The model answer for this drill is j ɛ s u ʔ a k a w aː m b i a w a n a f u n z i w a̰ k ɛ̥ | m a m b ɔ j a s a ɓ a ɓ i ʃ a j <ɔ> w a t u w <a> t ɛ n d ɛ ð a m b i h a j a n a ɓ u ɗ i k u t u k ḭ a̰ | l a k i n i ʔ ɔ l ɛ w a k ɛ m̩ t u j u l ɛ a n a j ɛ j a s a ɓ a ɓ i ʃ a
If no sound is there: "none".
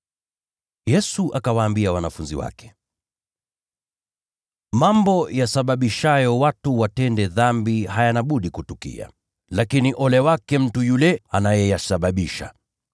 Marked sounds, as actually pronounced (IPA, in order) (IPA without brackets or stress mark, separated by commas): ɔ, a